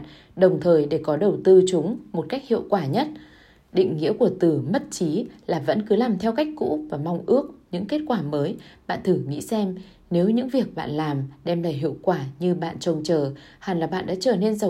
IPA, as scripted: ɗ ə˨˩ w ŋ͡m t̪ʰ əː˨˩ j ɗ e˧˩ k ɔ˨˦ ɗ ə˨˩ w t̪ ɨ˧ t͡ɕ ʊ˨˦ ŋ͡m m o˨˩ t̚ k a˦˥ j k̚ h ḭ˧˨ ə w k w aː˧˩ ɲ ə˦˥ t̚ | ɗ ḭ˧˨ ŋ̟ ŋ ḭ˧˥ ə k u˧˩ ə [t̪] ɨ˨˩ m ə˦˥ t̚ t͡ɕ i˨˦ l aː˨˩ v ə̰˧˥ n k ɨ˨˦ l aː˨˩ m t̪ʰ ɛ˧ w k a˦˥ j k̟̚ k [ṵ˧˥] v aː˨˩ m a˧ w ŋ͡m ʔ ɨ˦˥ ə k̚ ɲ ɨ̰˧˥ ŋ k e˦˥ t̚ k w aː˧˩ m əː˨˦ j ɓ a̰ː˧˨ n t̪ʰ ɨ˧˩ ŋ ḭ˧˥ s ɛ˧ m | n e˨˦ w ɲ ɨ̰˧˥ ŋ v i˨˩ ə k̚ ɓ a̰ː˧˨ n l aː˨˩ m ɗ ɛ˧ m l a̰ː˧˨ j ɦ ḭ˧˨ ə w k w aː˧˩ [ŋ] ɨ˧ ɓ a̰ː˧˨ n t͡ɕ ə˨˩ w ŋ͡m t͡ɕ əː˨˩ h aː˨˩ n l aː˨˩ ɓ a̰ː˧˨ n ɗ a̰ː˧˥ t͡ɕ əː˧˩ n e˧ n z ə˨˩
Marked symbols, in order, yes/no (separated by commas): yes, yes, no